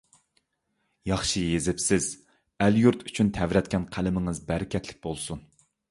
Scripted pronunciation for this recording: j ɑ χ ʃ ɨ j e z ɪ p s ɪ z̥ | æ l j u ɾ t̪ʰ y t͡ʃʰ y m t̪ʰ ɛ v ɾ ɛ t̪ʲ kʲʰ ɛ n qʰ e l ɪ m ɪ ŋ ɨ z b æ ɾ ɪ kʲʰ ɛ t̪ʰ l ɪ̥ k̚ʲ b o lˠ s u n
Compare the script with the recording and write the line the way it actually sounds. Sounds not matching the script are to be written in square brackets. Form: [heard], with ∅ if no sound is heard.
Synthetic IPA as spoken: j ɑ χ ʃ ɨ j e z ɪ p s ɪ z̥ | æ l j u ɾ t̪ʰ y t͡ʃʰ y [n] t̪ʰ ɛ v ɾ ɛ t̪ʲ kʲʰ ɛ n qʰ [æ] l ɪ m ɪ ŋ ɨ z b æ ɾ ɪ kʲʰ ɛ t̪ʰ l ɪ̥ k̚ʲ b o lˠ s u n